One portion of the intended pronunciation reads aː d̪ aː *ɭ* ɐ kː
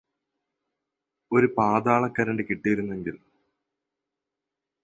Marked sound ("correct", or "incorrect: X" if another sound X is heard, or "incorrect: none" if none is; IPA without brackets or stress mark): correct